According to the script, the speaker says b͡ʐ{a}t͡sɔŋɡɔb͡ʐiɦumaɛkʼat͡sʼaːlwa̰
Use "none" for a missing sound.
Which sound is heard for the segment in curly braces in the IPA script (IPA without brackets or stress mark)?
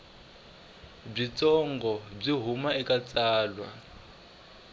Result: i